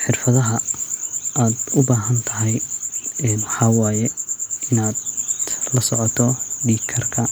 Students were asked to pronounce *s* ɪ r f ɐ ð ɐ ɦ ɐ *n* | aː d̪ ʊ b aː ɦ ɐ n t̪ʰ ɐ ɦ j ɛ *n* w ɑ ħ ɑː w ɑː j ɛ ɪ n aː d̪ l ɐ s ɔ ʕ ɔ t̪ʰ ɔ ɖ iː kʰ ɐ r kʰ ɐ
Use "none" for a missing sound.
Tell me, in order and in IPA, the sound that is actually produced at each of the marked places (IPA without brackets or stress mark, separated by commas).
ħ, none, n